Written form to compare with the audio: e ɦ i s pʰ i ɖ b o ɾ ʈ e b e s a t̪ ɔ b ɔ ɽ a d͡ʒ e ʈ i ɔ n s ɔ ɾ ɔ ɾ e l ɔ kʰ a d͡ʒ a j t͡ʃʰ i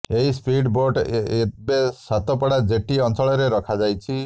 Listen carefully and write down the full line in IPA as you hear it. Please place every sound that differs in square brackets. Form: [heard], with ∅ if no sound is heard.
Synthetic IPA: e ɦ i s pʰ i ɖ b o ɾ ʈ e b e s a t̪ ɔ [p] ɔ ɽ a d͡ʒ e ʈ i ɔ n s ɔ [ɭ] ɔ ɾ e [ɾ] ɔ kʰ a d͡ʒ a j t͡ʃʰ i

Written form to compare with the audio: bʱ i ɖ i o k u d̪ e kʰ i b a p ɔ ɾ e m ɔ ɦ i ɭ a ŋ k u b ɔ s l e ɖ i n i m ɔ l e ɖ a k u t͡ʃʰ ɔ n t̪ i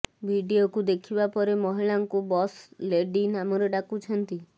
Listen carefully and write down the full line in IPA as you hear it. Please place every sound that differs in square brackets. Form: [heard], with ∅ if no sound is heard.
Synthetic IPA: bʱ i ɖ i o k u d̪ e kʰ i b a p ɔ ɾ e m ɔ ɦ i ɭ a ŋ k u b ɔ s l e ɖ i n [a] m ɔ [ɾ] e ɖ a k u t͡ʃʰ ɔ n t̪ i

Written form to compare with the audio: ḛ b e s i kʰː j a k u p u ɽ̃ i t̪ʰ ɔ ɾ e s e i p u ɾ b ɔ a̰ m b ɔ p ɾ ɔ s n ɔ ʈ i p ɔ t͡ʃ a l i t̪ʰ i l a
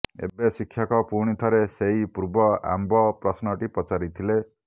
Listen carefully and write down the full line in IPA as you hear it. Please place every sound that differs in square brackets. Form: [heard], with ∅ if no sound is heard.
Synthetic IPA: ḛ b e s i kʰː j a k [ɔ] p u ɽ̃ i t̪ʰ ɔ ɾ e s e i p u ɾ b ɔ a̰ m b ɔ p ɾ ɔ s n ɔ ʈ i p ɔ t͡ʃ a [ɾ] i t̪ʰ i l [e]

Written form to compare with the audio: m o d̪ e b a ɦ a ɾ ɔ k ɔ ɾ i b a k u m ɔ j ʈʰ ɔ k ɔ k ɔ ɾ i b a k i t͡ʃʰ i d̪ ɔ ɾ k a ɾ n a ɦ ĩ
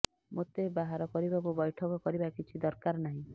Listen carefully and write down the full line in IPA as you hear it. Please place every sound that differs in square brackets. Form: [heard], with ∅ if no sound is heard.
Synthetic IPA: m o [t̪] e b a ɦ a ɾ ɔ k ɔ ɾ i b a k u [b] ɔ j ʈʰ ɔ k ɔ k ɔ ɾ i b a k i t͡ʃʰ i d̪ ɔ ɾ k a ɾ n a ɦ ĩ

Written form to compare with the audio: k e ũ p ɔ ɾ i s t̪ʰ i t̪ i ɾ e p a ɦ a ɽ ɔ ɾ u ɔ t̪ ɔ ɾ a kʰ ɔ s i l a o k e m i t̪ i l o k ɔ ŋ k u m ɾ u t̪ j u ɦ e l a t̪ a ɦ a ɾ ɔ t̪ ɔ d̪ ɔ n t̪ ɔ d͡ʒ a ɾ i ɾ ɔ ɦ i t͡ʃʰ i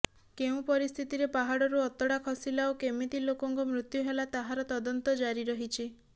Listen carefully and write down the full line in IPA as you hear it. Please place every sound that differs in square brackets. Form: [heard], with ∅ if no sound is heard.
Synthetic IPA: k e ũ p ɔ ɾ i s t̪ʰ i t̪ i ɾ e p a ɦ a ɽ ɔ ɾ u ɔ t̪ ɔ [ɽ] a kʰ ɔ s i l a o k e m i t̪ i l o k ɔ ŋ k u m ɾ u t̪ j u ɦ e l a t̪ a ɦ a ɾ ɔ t̪ ɔ d̪ ɔ n t̪ ɔ d͡ʒ a ɾ i ɾ ɔ ɦ i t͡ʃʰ i

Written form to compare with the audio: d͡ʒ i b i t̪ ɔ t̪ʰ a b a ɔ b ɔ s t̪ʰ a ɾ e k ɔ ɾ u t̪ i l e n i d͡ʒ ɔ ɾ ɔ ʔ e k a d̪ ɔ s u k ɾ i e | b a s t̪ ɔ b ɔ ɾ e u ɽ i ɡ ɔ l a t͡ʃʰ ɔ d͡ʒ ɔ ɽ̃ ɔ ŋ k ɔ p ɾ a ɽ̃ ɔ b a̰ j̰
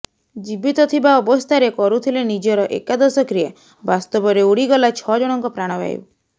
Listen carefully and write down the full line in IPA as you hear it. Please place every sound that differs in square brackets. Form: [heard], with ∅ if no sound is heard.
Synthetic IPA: d͡ʒ i b i t̪ ɔ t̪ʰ [i] b a ɔ b ɔ s t̪ʰ a ɾ e k ɔ ɾ u [t̪ʰ] i l e n i d͡ʒ ɔ ɾ ɔ ʔ e k a d̪ ɔ s [ɔ] k ɾ i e | b a s t̪ ɔ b ɔ ɾ e u ɽ i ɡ ɔ l a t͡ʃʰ ɔ d͡ʒ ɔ ɽ̃ ɔ ŋ k ɔ p ɾ a ɽ̃ ɔ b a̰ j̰

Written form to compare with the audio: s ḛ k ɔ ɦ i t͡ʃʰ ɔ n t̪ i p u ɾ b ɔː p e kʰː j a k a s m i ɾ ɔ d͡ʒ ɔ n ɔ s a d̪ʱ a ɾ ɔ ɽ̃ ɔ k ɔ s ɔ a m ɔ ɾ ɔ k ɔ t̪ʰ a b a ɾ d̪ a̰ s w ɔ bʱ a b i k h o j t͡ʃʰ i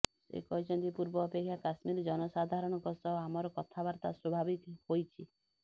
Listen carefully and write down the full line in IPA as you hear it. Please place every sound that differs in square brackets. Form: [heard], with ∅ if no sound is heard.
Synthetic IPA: s ḛ k ɔ ɦ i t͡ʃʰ ɔ n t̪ i p u ɾ b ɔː p e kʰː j a k a s m i ɾ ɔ d͡ʒ ɔ n ɔ s a d̪ʱ a ɾ ɔ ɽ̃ ɔ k ɔ s ɔ a m ɔ ɾ ɔ k ɔ t̪ʰ a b a ɾ [t̪] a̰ s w ɔ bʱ a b i k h o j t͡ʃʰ i

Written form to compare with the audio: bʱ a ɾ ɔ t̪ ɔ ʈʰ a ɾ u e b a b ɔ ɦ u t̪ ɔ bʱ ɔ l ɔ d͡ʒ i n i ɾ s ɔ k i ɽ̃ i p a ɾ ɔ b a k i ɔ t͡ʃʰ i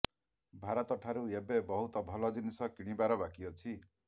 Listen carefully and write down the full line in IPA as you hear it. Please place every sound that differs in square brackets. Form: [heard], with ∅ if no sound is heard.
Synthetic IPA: bʱ a ɾ ɔ t̪ ɔ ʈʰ a ɾ u e b [e] b ɔ ɦ u t̪ ɔ bʱ ɔ l ɔ d͡ʒ i n i [∅] s ɔ k i ɽ̃ i [b] a ɾ ɔ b a k i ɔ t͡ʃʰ i

